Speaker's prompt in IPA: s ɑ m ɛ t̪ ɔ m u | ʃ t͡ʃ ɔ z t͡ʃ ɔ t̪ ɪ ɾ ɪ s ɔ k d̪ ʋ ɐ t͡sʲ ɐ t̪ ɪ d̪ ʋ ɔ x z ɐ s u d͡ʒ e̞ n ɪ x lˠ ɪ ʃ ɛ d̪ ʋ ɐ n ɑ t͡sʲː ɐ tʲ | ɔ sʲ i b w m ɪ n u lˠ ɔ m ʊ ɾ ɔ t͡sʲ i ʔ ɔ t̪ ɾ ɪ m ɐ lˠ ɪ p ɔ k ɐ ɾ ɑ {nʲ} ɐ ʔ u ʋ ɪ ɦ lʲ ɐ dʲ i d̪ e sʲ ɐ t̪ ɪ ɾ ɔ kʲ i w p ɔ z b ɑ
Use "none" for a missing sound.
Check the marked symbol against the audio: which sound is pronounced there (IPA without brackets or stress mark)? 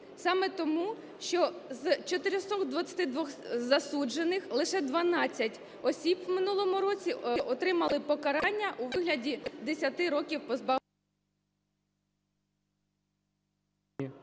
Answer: nʲː